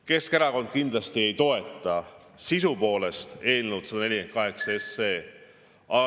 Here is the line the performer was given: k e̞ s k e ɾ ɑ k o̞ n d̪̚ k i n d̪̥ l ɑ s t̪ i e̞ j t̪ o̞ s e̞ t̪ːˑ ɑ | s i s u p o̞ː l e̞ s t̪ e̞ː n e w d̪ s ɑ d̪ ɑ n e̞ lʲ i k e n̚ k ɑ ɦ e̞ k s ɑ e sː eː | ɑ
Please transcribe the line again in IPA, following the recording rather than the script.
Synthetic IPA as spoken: k e̞ s k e ɾ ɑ k o̞ n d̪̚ k i n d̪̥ l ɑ s t̪ i e̞ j t̪ o̞ e̞ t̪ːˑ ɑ | s i s u p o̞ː l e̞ s t̪ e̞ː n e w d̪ s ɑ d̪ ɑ n e̞ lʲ i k e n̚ k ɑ ɦ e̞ k s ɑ e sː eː | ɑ